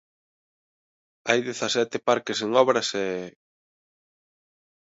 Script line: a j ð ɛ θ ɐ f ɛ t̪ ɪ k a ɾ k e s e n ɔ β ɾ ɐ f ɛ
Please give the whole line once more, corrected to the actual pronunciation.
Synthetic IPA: a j ð e θ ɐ s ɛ t̪ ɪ p a ɾ k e s e ŋ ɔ β ɾ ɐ s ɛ